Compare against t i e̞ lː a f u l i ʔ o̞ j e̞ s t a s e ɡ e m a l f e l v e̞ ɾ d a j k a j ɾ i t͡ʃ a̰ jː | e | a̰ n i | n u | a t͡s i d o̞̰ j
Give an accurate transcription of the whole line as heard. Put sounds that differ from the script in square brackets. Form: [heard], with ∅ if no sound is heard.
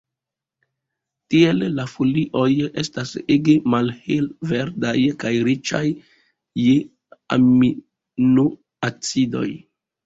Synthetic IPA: t i e̞ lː a f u l i ʔ o̞ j e̞ s t a s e ɡ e m a l [h] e l v e̞ ɾ d a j k a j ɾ i t͡ʃ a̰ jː | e | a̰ [m] i | n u | a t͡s i d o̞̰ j